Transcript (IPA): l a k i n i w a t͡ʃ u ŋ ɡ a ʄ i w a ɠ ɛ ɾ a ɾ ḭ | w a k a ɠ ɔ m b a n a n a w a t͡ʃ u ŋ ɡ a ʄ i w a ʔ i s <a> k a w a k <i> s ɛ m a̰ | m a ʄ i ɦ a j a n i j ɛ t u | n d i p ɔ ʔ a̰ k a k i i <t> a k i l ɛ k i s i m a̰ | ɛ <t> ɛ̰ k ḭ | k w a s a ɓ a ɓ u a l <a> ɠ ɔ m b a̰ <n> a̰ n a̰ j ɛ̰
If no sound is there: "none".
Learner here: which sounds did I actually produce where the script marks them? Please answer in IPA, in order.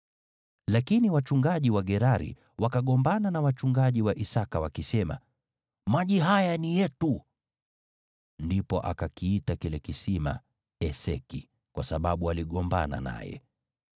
a, i, t, s, i, n

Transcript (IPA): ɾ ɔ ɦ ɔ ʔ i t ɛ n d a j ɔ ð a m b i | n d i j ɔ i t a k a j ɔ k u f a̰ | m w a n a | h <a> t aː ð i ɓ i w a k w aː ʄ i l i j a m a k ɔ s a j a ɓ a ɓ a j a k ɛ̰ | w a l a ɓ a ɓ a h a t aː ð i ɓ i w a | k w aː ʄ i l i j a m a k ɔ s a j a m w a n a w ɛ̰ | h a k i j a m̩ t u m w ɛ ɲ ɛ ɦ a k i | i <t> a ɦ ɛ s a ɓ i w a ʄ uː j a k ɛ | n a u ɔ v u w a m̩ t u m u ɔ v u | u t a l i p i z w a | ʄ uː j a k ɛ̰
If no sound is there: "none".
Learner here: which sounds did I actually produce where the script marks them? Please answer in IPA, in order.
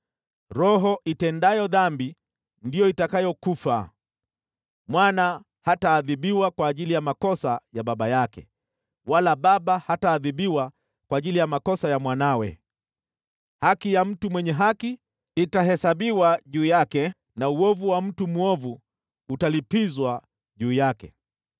a, t

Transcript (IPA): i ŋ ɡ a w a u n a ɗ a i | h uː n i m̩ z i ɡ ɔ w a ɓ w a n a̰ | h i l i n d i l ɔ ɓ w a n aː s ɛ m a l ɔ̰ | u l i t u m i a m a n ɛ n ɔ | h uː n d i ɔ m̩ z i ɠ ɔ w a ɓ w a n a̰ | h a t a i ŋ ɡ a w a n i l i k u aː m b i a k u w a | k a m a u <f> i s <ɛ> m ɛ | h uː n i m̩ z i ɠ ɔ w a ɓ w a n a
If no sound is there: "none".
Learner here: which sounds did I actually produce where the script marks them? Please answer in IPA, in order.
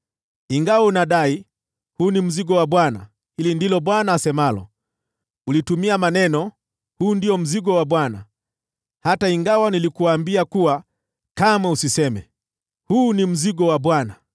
s, ɛ

